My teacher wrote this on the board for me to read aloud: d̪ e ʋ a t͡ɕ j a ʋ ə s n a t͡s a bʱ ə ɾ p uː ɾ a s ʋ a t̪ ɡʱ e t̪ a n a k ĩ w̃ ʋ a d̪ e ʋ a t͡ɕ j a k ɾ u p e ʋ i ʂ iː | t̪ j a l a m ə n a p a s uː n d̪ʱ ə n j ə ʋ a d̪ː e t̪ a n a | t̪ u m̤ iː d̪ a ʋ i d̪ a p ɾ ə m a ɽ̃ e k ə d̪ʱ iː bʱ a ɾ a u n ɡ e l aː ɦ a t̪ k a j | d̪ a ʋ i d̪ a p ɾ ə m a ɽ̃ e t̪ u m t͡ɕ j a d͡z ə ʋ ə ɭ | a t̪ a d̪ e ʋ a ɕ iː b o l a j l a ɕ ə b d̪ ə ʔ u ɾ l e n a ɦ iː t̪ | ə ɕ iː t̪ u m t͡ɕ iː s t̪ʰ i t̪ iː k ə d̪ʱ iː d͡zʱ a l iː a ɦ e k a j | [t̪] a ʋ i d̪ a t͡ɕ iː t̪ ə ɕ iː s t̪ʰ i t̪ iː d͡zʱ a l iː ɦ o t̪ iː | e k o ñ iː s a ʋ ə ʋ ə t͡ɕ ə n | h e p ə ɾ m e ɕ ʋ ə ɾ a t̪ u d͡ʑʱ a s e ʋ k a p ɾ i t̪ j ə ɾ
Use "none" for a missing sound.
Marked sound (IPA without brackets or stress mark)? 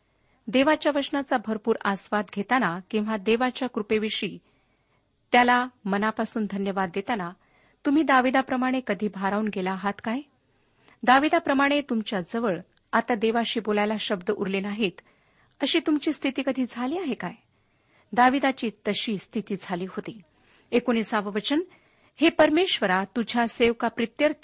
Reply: d̪